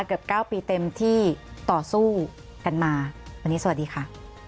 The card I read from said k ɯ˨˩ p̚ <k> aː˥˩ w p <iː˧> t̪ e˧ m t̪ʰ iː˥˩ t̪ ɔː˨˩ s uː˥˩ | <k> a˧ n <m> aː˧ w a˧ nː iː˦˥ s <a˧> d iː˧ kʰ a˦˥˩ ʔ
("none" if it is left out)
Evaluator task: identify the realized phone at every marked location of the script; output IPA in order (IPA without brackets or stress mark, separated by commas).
k, iː˧, k, m, a˧˨˩